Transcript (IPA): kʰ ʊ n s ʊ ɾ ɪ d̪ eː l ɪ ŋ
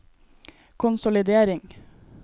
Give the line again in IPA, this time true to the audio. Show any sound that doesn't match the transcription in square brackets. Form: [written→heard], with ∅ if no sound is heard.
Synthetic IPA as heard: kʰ ʊ n s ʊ [ɾ→l] ɪ d̪ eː [l→ɾ] ɪ ŋ